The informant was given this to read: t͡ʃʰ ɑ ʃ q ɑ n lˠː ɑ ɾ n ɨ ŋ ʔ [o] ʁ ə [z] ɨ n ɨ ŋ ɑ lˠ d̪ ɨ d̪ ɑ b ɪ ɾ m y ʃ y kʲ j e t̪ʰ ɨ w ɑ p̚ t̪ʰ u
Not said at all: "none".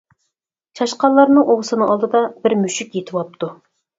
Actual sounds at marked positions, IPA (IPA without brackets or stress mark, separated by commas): o, s